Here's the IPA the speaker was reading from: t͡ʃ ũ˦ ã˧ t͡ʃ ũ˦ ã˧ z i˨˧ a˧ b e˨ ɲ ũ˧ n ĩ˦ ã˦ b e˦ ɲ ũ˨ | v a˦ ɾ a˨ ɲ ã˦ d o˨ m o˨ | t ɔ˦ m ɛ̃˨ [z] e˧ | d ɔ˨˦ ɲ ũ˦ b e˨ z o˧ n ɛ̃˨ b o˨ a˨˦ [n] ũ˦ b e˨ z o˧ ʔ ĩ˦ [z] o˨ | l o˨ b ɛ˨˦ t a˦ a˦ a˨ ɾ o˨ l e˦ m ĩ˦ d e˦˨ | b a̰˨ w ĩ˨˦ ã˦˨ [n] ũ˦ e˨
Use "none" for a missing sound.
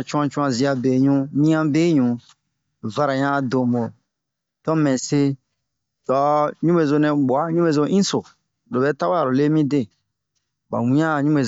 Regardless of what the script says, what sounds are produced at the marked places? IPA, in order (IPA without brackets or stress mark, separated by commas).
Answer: s, ɲ, s, ɲ